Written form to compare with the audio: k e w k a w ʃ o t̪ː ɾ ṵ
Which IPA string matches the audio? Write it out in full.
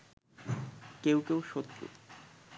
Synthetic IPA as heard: k e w k e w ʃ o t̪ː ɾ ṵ